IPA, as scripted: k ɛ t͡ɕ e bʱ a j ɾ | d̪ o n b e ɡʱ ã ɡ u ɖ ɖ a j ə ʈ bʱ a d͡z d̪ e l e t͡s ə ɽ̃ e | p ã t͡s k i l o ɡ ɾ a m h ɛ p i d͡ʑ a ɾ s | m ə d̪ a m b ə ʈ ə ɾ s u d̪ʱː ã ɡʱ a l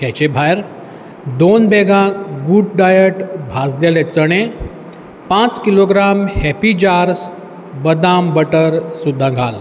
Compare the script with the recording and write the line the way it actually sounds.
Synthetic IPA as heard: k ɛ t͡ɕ e bʱ a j ɾ | d̪ o n b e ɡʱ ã ɡ u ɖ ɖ a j ə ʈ bʱ a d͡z d̪ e l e t͡s ə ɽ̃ e | p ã t͡s k i l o ɡ ɾ a m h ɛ p i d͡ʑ a ɾ s | b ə d̪ a m b ə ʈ ə ɾ s u d̪ʱː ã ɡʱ a l